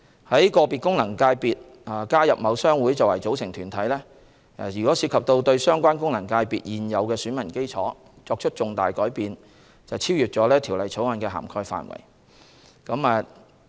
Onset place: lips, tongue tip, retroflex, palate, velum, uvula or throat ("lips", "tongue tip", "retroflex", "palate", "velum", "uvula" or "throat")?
throat